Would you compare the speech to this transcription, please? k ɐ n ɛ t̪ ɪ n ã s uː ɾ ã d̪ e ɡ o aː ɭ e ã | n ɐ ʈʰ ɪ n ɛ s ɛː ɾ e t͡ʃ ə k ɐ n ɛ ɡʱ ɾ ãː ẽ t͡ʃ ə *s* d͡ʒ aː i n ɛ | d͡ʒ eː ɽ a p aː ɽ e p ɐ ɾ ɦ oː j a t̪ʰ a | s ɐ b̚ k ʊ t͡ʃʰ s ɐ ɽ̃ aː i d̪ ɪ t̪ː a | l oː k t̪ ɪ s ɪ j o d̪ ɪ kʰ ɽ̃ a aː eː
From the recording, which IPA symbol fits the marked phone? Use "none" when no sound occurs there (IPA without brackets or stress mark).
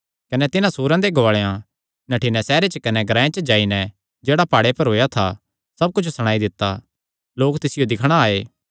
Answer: none